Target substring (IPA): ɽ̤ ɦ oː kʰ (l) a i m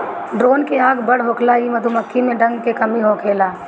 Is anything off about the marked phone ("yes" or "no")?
no